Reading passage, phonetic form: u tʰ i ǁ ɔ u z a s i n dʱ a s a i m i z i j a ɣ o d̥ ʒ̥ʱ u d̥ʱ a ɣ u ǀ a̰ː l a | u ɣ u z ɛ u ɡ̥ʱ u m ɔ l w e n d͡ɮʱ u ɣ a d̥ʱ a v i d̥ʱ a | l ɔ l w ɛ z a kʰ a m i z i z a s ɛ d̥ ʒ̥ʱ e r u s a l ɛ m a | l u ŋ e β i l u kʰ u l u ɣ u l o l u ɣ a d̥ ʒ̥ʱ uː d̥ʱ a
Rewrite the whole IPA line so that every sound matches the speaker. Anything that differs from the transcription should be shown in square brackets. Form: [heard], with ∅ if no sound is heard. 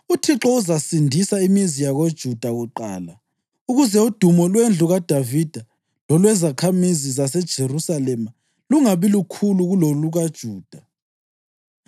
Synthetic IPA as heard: u tʰ i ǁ ɔ u z a s i n dʱ [i] s a i m i z i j a ɣ o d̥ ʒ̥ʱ u d̥ʱ a ɣ u [ǃ] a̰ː l a | u ɣ u z ɛ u [d̥ʱ] u m ɔ l w e n d͡ɮʱ u ɣ a d̥ʱ a v i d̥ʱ a | l ɔ l w ɛ z a kʰ a m i z i z a s ɛ d̥ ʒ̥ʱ e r u s a l ɛ m a | l u ŋ [a] β i l u kʰ u l u ɣ u l o l u ɣ a d̥ ʒ̥ʱ uː d̥ʱ a